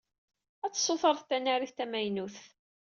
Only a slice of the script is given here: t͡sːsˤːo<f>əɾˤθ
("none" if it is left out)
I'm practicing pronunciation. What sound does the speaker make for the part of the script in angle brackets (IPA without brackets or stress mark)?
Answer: θ